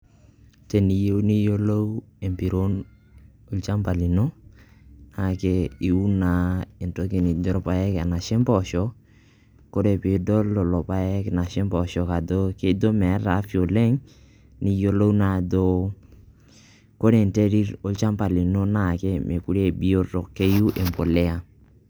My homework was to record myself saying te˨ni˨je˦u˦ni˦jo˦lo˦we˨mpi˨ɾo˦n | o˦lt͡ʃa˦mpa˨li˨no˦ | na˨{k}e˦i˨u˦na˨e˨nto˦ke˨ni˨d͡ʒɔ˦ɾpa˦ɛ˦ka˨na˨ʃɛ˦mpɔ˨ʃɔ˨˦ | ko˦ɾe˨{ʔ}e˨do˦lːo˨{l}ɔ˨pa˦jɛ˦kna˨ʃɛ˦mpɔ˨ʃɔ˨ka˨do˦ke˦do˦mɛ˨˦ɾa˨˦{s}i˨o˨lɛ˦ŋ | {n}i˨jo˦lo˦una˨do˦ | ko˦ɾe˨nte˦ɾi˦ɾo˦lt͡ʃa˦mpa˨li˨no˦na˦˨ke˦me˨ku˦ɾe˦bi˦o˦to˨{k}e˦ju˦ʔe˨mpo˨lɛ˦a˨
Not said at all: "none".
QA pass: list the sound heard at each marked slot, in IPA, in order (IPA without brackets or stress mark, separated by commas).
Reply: k, p, l, f, n, k